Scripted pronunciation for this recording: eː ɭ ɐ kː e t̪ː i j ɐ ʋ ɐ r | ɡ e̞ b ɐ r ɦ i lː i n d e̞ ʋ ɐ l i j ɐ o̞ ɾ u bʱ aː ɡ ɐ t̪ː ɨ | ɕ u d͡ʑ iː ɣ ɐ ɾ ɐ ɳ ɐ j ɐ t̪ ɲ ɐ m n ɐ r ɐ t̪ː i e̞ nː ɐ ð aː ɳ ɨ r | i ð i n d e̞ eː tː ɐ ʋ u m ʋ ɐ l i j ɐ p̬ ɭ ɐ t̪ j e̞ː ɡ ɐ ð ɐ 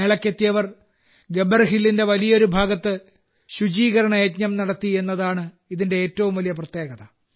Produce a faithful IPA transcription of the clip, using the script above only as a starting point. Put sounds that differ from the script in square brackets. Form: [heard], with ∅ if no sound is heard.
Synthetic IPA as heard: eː ɭ ɐ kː e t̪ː i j ɐ ʋ ɐ r | ɡ e̞ b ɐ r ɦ i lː i n d e̞ ʋ ɐ l i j ɐ o̞ ɾ u bʱ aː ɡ ɐ t̪ː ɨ | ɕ u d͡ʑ iː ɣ ɐ ɾ ɐ ɳ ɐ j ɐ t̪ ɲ ɐ m n ɐ [ɽ] ɐ t̪ː i e̞ nː ɐ ð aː ɳ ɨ [∅] | i ð i n d e̞ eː tː ɐ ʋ u m ʋ ɐ l i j ɐ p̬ [r] ɐ t̪ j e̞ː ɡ ɐ ð ɐ